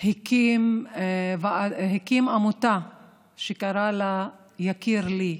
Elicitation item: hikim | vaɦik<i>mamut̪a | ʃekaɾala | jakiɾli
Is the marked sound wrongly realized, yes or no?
no